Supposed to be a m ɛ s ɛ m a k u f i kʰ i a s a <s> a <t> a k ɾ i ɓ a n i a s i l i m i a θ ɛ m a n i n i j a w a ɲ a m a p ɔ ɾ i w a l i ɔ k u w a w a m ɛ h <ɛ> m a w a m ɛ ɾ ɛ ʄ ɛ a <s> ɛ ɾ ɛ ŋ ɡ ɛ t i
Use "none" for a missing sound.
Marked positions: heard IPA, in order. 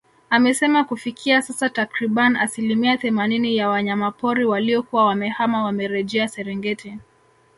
s, t, a, s

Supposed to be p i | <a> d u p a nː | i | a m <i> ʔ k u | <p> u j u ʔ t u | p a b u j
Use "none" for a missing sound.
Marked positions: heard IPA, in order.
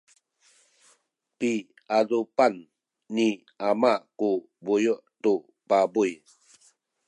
a, a, b

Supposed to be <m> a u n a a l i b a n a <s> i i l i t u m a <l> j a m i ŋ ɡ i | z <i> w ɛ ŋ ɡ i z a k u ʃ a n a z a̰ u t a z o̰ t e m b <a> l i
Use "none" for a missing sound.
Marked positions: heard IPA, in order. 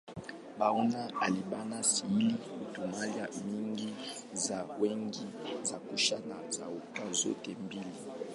b, s, l, a, i

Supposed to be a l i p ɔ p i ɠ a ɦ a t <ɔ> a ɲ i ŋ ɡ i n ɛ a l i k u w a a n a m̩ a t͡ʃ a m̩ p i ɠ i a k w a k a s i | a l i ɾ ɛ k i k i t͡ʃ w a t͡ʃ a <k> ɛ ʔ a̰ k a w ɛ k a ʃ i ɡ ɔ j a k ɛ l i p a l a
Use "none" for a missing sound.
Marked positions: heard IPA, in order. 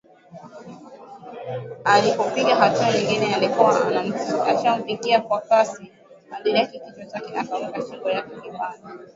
u, k

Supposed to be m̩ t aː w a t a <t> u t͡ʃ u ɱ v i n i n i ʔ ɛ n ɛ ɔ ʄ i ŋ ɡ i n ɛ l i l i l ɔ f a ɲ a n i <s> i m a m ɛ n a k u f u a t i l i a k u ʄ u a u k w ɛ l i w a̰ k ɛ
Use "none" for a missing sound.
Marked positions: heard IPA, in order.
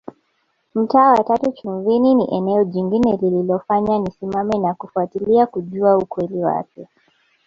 t, s

